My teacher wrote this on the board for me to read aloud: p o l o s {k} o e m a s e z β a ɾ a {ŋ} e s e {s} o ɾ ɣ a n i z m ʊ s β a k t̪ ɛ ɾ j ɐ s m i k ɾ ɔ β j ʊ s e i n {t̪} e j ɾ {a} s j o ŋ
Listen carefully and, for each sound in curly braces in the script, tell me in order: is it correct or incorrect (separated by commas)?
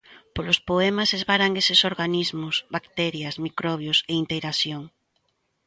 incorrect, correct, correct, correct, correct